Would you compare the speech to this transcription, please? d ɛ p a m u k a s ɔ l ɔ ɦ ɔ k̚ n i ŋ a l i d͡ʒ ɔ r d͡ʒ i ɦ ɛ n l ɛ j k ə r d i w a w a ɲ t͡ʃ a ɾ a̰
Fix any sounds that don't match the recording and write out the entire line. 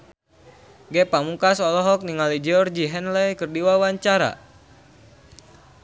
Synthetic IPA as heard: ɡ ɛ p a m u k a s ɔ l ɔ ɦ ɔ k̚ n i ŋ a l i d͡ʒ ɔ r d͡ʒ i ɦ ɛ n l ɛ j k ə r d i w a w a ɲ t͡ʃ a ɾ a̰